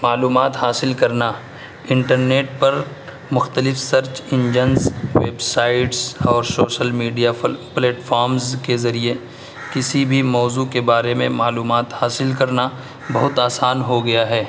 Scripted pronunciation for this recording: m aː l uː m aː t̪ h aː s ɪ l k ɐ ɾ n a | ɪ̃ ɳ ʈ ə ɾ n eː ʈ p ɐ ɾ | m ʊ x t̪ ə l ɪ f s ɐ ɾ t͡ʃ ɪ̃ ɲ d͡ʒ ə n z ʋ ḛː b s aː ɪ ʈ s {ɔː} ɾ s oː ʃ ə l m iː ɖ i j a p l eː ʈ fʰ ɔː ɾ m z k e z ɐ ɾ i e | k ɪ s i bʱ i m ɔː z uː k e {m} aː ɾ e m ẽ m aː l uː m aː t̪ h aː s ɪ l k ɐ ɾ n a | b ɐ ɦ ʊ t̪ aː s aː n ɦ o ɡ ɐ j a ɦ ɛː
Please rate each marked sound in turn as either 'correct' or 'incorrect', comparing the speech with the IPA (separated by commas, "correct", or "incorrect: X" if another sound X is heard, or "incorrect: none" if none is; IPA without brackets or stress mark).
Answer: correct, incorrect: b